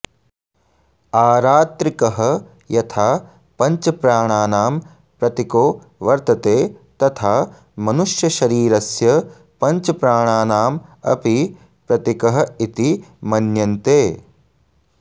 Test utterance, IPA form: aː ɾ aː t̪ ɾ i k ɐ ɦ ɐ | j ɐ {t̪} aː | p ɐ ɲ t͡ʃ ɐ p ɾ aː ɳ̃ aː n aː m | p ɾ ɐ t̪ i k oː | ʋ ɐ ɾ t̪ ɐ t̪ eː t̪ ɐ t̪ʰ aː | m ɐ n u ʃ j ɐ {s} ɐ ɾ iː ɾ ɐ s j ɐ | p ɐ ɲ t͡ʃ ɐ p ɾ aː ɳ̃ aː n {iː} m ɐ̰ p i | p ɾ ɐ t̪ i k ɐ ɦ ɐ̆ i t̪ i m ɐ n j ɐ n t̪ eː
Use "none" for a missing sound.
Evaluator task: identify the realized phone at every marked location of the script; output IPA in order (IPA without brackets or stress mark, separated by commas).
t̪ʰ, ʃ, aː